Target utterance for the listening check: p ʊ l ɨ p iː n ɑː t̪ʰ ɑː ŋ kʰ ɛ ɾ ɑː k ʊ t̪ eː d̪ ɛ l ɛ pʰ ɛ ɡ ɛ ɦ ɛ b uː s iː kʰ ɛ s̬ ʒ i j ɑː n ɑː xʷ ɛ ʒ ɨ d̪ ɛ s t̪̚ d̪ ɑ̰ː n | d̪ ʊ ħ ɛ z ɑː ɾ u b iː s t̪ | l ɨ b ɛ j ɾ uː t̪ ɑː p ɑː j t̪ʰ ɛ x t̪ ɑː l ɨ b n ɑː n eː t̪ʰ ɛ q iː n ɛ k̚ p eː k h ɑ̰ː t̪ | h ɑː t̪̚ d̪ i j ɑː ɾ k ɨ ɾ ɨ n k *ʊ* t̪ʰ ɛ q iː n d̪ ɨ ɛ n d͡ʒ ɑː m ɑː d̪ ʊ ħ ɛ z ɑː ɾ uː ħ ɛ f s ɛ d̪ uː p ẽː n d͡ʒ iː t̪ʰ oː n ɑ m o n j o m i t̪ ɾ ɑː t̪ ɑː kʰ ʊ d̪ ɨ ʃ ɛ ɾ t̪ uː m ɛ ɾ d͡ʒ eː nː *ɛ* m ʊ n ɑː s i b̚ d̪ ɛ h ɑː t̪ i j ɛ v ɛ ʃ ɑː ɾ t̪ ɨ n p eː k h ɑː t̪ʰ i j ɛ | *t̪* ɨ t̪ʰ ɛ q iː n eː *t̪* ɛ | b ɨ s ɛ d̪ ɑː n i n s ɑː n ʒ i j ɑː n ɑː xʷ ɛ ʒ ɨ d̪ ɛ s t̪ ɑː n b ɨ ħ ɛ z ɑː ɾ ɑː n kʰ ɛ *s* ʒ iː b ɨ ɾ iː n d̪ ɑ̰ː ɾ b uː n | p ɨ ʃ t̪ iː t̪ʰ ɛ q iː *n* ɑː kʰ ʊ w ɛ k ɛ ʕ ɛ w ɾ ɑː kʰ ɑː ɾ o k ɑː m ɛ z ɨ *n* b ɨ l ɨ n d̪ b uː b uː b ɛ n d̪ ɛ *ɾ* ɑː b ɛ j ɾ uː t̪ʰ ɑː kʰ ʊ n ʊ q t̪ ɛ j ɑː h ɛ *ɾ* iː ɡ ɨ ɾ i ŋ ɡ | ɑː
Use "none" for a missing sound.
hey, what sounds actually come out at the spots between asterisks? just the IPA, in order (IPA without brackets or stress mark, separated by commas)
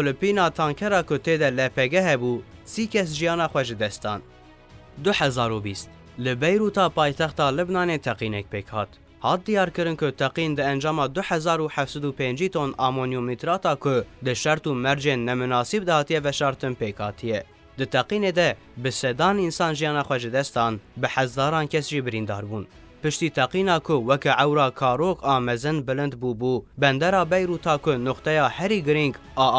ʊ, ɛ, d̪, d̪, s, n, n, ɾ, ɾ